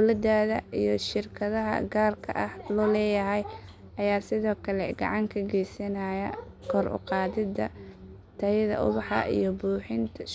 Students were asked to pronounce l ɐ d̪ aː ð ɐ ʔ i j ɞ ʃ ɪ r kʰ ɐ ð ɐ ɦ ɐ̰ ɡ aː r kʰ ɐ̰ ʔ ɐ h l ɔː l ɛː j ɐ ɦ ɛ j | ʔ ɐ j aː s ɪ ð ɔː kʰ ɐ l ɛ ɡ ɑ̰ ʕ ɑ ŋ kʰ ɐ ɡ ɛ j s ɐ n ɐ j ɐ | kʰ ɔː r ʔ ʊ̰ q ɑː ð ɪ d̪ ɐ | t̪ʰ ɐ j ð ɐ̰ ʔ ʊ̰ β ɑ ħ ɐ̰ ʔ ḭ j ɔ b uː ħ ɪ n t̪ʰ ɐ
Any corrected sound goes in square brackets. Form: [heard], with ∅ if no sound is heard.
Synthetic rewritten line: l ɐ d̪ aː ð ɐ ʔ i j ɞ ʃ ɪ r kʰ ɐ ð ɐ ɦ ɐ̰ ɡ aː r kʰ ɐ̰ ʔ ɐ h l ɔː l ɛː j ɐ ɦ ɛ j | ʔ ɐ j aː s ɪ ð ɔː kʰ ɐ l ɛ ɡ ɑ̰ ʕ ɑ ŋ kʰ ɐ ɡ ɛ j s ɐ n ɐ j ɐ | kʰ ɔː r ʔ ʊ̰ q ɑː ð ɪ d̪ ɐ | t̪ʰ ɐ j ð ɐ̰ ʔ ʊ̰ β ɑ ħ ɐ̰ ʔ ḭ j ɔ b uː ħ ɪ n t̪ʰ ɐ

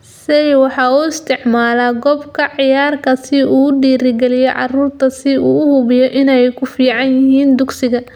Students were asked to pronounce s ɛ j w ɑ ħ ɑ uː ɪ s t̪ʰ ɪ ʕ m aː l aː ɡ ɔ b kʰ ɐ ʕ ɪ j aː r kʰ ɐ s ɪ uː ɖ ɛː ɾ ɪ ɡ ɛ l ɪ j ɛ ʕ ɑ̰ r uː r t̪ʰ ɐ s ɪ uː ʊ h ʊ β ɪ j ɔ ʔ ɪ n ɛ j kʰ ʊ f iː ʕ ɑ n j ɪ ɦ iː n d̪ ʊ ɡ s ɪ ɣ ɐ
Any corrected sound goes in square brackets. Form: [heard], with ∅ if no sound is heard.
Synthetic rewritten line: s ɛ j w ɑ ħ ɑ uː ɪ s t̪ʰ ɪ ʕ m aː l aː ɡ ɔ b kʰ ɐ ʕ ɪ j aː r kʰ ɐ s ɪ uː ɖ [iː] ɾ ɪ ɡ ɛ l ɪ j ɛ ʕ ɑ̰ r uː r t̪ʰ ɐ s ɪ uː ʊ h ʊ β ɪ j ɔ ʔ ɪ n ɛ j kʰ ʊ f iː ʕ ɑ n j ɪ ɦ iː n d̪ ʊ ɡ s ɪ ɣ ɐ

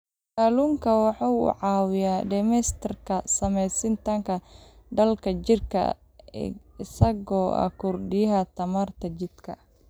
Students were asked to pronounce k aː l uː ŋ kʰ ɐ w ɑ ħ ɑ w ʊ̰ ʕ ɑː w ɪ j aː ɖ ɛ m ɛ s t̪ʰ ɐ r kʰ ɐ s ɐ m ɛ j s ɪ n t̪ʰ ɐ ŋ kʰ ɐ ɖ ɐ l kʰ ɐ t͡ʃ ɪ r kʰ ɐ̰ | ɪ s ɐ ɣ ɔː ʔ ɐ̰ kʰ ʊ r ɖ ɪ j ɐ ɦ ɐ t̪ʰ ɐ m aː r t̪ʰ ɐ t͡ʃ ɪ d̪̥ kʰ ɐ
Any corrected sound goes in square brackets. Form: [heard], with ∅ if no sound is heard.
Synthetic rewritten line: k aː l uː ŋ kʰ ɐ w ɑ ħ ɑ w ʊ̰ ʕ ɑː w ɪ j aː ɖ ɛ m ɛ s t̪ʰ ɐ r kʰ ɐ s ɐ m ɛ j s ɪ n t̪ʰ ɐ ŋ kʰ ɐ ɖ ɐ l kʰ ɐ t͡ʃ ɪ r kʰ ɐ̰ | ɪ s ɐ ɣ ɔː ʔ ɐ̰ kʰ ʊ r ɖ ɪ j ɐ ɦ ɐ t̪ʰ ɐ m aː r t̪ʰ ɐ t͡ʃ ɪ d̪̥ kʰ ɐ

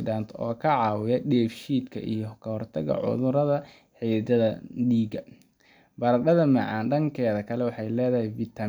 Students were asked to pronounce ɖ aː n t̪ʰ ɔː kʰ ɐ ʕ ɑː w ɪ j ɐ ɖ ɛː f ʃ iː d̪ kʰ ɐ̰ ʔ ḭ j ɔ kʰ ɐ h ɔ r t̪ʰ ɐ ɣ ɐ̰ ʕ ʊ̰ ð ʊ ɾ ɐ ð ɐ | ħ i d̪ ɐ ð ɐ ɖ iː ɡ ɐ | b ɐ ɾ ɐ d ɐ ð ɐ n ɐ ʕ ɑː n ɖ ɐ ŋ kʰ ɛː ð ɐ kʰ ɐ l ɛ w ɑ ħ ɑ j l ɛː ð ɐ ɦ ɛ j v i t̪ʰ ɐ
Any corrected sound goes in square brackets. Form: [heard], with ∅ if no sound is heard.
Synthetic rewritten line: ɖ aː n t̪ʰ ɔː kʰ ɐ ʕ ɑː w ɪ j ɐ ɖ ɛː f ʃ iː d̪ kʰ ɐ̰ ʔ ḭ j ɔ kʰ ɐ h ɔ r t̪ʰ ɐ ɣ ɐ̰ ʕ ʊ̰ ð ʊ ɾ ɐ ð ɐ | ħ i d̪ ɐ ð ɐ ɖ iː ɡ ɐ | b ɐ ɾ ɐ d ɐ ð ɐ [m] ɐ ʕ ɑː n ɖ ɐ ŋ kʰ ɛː ð ɐ kʰ ɐ l ɛ w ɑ ħ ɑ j l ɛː ð ɐ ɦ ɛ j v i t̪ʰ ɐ

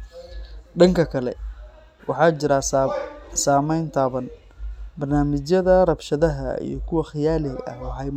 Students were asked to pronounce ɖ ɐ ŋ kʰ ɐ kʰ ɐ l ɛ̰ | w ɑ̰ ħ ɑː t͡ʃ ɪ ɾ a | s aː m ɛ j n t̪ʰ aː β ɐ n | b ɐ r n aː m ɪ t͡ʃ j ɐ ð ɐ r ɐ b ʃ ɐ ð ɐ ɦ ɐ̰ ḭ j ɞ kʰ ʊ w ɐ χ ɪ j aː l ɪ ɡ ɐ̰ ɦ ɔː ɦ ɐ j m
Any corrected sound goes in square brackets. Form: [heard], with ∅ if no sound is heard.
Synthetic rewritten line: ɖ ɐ ŋ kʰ ɐ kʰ ɐ l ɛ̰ | w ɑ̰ ħ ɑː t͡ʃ ɪ ɾ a | s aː m ɛ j n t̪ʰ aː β ɐ n | b ɐ r n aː m ɪ t͡ʃ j ɐ ð ɐ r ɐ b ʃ ɐ ð ɐ ɦ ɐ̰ ḭ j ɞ kʰ ʊ w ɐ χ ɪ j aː l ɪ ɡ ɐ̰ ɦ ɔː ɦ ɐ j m

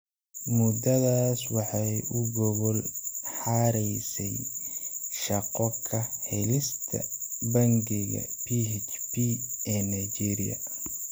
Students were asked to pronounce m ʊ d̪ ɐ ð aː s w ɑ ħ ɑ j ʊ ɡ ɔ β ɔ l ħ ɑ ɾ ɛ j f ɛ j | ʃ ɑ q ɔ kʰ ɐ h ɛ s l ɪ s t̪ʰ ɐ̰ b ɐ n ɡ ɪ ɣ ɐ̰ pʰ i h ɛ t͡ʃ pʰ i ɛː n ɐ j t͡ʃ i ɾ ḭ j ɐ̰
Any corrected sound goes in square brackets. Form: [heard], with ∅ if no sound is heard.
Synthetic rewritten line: m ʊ d̪ ɐ ð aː s w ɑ ħ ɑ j ʊ ɡ ɔ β ɔ l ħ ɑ ɾ ɛ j [s] ɛ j | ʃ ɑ q ɔ kʰ ɐ h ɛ [∅] l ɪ s t̪ʰ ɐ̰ b ɐ [ŋ] ɡ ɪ ɣ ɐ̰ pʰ i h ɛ t͡ʃ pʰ i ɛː n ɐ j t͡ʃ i ɾ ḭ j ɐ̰

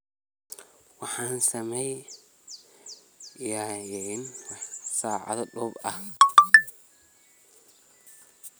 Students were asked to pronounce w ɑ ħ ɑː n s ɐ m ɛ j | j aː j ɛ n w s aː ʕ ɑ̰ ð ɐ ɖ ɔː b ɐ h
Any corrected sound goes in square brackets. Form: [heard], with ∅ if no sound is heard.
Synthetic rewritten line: w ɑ ħ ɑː n s ɐ m ɛ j | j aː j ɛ n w s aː ʕ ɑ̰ ð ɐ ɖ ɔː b ɐ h

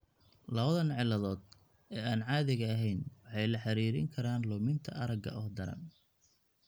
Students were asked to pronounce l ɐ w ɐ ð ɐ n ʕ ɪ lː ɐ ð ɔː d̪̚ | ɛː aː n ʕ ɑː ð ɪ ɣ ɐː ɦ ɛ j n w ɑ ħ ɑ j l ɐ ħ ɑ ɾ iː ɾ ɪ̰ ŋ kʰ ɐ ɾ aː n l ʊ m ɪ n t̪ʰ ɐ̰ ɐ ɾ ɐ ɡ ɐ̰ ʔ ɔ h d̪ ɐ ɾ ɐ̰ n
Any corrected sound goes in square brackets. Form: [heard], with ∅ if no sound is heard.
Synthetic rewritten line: l ɐ [β] ɐ ð ɐ n ʕ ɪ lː ɐ ð ɔː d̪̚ | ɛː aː n ʕ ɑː ð ɪ ɣ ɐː ɦ ɛ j n w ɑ ħ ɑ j l ɐ ħ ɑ ɾ iː ɾ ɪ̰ ŋ kʰ ɐ ɾ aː n l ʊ m ɪ n t̪ʰ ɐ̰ ɐ ɾ ɐ ɡ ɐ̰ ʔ ɔ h d̪ ɐ ɾ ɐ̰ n

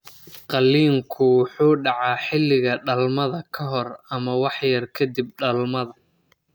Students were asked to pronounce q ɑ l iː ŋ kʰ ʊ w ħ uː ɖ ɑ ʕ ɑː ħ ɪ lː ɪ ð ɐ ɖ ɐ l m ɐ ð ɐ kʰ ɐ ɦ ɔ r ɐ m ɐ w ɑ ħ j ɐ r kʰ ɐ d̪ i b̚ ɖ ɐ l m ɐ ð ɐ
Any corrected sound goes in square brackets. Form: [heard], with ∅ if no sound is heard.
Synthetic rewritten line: q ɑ l iː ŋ kʰ ʊ w ħ uː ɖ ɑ ʕ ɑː ħ ɪ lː ɪ [ɣ] ɐ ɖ ɐ l m ɐ ð ɐ kʰ ɐ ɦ ɔ r ɐ m ɐ w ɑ ħ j ɐ r kʰ ɐ d̪ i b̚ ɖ ɐ l m ɐ ð ɐ

